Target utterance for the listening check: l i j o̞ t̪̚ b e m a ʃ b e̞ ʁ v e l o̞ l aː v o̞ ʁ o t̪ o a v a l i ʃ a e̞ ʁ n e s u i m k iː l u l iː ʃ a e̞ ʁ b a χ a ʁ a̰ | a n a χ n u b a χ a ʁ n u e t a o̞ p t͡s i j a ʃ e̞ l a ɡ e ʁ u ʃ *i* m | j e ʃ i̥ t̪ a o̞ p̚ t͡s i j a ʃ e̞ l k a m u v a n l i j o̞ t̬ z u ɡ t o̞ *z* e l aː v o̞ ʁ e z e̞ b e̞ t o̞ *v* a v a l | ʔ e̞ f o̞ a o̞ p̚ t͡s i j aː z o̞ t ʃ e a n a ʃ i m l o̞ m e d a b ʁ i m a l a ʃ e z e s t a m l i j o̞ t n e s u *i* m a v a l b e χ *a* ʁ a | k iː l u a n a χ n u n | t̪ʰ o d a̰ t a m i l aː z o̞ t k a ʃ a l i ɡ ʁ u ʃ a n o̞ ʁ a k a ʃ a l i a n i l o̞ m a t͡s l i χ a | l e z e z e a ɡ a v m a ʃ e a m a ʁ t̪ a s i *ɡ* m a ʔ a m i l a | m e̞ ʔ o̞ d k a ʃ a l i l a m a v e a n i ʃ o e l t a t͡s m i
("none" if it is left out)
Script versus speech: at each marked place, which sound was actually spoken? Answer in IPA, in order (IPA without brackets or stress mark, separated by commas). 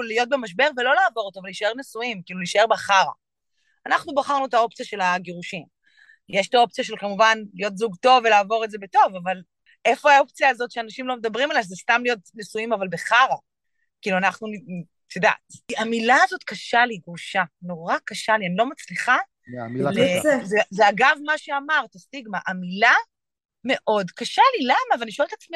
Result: i, v, v, i, a, ɡ